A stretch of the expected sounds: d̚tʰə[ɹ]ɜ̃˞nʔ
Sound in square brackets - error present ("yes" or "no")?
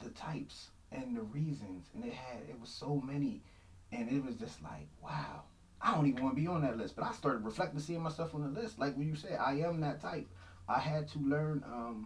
yes